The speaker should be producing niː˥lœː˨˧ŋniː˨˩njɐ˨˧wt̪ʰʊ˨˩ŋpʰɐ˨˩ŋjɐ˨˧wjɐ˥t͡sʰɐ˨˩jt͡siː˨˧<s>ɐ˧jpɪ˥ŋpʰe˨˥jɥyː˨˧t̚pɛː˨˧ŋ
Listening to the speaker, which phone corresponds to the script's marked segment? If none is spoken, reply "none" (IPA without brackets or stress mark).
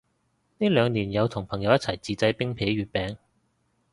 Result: t͡s